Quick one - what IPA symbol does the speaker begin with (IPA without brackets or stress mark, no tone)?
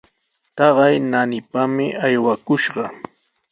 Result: t̪